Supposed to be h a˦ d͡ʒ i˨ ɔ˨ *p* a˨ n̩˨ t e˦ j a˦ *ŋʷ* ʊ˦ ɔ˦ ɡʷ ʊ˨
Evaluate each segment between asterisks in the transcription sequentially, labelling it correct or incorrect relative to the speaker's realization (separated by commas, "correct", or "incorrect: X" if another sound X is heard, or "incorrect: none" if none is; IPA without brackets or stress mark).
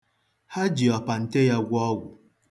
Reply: correct, incorrect: ɡʷ